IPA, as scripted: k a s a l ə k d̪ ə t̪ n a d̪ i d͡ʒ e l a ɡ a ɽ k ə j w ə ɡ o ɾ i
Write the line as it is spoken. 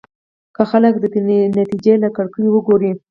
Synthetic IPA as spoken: k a x a l ə k d̪ ə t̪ n a t̪ i d͡ʒ e l a k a ɽ k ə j w ə ɡ o ɾ i